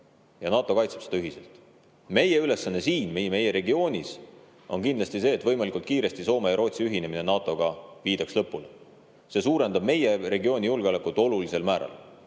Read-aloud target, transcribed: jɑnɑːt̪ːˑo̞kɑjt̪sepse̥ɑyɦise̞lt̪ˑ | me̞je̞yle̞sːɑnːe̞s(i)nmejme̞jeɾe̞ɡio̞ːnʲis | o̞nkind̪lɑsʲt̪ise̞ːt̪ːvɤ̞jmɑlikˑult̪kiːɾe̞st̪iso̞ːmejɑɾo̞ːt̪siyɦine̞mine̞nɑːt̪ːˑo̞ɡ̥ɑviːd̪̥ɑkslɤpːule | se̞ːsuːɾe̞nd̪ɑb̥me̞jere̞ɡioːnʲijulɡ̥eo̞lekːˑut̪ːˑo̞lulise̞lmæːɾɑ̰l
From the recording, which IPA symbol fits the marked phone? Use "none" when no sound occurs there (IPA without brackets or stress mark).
iː